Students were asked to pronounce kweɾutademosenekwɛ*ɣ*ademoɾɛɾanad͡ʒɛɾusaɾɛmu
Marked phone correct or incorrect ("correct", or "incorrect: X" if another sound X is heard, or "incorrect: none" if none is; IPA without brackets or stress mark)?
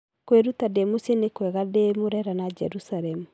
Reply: correct